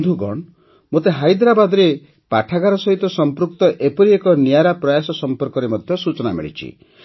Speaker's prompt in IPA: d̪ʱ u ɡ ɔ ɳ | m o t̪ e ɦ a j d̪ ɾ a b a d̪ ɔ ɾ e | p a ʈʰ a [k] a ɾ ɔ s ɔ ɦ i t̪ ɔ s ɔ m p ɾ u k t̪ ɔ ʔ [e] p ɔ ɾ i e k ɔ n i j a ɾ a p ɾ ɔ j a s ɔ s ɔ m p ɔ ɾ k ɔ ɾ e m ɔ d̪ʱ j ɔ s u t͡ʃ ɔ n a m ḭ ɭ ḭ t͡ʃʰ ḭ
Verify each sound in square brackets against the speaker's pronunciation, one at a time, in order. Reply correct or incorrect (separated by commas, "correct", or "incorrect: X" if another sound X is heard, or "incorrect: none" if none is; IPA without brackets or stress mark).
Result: incorrect: ɡ, correct